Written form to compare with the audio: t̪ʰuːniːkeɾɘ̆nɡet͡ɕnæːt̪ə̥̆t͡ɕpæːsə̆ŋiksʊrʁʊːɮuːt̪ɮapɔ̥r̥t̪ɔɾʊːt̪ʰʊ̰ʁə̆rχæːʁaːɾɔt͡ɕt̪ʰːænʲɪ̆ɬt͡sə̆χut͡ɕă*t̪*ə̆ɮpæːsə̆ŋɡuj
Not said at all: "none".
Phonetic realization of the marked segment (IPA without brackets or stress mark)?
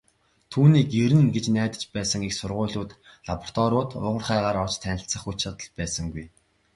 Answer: t̪